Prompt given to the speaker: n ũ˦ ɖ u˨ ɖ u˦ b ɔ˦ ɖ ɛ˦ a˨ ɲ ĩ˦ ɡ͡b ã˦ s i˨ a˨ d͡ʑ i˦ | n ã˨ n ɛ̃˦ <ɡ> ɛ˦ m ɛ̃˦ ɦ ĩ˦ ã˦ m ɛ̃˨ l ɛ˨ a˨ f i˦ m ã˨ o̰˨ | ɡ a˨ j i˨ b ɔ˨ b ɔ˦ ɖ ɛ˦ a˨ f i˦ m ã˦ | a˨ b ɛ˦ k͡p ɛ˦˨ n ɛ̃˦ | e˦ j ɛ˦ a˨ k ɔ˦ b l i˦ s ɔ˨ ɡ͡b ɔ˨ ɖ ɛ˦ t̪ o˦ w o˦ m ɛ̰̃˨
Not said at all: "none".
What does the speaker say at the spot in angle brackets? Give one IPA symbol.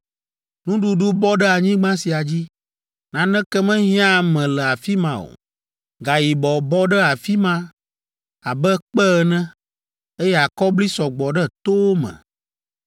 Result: k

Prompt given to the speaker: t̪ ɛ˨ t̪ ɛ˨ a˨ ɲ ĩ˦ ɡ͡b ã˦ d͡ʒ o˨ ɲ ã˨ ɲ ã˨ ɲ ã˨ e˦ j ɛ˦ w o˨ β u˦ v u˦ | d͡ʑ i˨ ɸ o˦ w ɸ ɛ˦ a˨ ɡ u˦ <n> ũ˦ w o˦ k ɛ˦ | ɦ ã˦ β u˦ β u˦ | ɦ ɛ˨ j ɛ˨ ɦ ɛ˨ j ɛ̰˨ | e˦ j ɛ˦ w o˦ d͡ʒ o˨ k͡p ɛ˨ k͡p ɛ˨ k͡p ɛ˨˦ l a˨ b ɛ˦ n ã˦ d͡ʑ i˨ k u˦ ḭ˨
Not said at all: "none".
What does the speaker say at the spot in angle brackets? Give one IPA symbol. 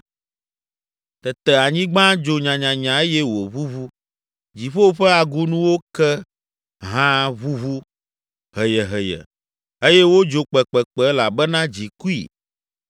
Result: n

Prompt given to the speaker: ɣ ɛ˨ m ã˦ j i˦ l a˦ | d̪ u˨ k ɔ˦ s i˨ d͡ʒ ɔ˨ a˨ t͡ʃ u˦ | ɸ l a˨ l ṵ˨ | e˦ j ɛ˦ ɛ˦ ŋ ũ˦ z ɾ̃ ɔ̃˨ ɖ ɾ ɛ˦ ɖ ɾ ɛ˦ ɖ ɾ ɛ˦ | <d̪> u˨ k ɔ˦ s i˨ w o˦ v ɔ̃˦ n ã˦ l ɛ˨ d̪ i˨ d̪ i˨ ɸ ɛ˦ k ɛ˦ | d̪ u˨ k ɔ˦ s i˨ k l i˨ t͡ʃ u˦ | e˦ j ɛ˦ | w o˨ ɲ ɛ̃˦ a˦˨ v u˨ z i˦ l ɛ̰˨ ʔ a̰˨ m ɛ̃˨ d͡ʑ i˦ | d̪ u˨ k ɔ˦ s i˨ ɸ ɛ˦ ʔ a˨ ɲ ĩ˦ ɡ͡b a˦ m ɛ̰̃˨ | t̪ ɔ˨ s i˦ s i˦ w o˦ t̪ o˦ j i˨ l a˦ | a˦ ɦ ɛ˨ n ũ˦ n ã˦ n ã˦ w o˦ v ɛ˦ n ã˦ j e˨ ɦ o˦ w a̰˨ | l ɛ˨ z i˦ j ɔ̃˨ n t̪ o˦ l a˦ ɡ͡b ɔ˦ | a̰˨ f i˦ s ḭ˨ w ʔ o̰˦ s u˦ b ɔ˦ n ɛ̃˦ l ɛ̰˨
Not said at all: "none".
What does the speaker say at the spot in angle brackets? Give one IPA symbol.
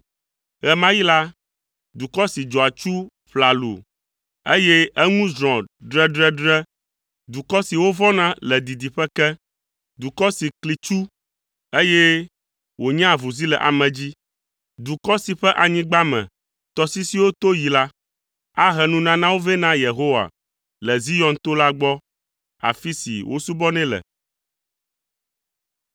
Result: d̪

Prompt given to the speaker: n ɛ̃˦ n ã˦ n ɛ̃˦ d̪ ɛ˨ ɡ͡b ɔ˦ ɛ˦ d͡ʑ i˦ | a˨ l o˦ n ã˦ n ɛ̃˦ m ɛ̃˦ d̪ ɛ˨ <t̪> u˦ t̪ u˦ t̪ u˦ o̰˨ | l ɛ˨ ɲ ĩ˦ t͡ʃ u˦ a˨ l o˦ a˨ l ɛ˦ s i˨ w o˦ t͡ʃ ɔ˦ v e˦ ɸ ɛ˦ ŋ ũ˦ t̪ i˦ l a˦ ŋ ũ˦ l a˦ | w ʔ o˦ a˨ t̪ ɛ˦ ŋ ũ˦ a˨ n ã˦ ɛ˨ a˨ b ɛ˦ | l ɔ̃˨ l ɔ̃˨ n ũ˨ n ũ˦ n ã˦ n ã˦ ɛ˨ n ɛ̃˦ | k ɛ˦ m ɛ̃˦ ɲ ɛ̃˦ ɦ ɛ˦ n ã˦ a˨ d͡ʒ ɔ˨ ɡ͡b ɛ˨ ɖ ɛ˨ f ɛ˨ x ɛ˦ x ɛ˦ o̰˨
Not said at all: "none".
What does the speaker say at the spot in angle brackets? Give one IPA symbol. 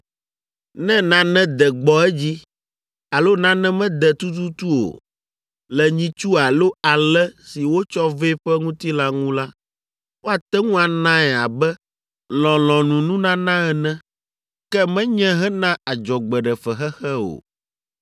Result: t̪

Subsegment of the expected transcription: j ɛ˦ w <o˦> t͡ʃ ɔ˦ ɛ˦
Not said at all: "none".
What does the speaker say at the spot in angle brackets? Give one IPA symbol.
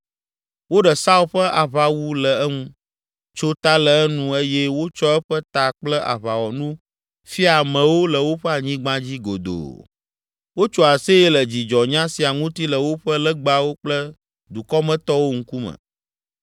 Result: o˦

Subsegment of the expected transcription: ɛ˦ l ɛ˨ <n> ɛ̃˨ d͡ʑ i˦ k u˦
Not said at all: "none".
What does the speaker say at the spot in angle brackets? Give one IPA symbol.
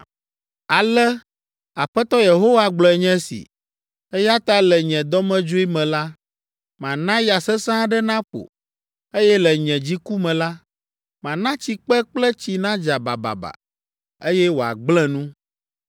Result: ɲ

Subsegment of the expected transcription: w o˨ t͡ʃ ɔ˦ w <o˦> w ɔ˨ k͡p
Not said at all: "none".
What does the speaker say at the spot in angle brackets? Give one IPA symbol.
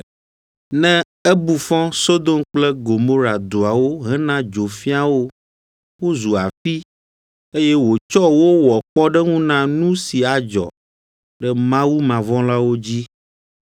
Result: o˦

